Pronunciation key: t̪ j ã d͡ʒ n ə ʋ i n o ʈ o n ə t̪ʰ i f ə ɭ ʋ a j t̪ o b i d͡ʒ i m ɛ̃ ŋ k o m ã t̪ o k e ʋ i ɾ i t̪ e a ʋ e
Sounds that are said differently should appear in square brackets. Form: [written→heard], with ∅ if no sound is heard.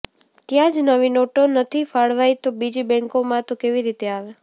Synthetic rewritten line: t̪ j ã d͡ʒ n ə ʋ i n o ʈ o n ə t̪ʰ i f [ə→a] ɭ ʋ a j t̪ o b i d͡ʒ i [m→b] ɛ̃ ŋ k o m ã t̪ o k e ʋ i ɾ i t̪ e a ʋ e